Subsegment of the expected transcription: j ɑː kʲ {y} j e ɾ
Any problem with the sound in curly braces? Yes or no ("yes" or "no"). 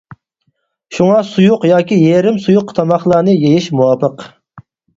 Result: yes